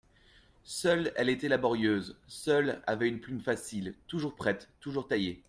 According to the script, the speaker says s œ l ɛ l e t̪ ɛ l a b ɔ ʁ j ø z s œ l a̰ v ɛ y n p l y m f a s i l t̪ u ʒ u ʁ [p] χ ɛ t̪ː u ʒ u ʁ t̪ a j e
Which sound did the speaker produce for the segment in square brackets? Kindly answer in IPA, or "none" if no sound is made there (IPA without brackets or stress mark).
p